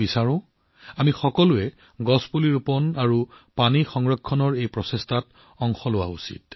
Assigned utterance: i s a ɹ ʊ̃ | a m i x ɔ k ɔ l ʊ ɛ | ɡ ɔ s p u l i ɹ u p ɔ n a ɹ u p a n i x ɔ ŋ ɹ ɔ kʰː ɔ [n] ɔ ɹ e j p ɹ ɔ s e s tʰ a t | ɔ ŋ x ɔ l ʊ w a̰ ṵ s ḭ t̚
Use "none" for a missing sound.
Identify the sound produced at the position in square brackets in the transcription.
n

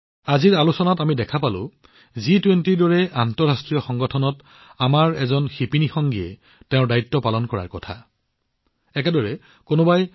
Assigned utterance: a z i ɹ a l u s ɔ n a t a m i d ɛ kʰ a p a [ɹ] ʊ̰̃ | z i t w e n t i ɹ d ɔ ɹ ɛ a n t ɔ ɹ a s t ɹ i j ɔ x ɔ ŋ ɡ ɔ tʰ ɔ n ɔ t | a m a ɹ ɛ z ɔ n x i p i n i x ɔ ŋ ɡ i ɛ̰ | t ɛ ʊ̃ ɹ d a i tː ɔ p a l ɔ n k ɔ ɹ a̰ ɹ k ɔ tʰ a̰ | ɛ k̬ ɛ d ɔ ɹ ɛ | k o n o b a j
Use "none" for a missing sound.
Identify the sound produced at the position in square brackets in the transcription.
l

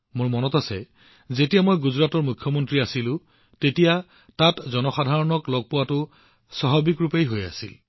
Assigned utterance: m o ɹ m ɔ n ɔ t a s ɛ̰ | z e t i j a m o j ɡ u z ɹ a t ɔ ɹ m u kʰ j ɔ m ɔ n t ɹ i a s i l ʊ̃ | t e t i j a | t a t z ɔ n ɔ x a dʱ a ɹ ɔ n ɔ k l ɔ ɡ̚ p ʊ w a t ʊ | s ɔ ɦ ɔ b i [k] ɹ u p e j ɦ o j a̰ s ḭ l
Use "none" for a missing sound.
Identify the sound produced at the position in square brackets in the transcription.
k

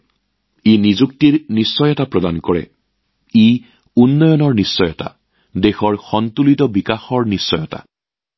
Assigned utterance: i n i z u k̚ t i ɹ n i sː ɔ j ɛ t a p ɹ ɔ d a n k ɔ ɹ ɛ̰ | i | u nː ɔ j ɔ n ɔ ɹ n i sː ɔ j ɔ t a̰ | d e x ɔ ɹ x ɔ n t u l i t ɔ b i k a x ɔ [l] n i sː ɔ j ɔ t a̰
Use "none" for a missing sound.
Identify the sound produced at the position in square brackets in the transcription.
ɹ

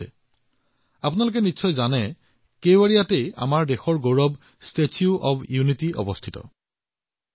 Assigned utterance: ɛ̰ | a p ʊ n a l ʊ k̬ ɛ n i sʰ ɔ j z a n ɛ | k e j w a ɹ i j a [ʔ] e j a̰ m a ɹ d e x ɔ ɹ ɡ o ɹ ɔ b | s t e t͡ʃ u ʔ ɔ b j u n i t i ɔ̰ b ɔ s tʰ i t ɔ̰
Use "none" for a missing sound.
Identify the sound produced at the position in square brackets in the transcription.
t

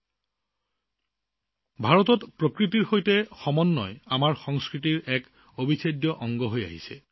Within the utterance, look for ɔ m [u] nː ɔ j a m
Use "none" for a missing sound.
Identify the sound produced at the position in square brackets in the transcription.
ɔ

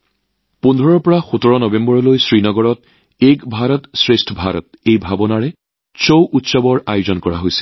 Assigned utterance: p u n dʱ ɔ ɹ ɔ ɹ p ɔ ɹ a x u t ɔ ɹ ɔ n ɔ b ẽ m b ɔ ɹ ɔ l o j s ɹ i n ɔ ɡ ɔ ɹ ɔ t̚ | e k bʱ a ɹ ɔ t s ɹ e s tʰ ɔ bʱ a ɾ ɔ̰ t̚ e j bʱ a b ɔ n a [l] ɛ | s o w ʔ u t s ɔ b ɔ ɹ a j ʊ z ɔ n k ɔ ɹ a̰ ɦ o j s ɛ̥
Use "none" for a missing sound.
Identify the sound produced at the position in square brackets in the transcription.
ɹ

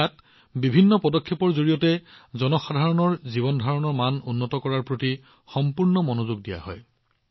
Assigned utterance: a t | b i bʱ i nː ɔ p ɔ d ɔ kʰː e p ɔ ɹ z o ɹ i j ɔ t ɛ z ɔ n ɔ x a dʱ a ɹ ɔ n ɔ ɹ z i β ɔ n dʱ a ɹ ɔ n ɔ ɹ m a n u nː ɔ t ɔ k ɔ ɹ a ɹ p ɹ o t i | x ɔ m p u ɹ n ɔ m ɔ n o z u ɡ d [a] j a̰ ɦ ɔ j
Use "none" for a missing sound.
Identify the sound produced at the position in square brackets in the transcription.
i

